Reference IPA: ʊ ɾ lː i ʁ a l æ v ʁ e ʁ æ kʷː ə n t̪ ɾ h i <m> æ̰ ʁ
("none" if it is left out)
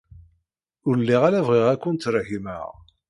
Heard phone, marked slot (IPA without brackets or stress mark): m